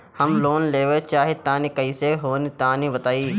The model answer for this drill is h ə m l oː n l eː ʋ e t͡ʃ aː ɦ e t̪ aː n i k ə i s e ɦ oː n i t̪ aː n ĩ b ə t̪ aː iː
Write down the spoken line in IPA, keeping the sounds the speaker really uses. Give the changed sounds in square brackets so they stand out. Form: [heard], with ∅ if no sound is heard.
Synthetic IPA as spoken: h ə m l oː n l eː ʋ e t͡ʃ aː ɦ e t̪ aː n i k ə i s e ɦ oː n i t̪ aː n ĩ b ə t̪ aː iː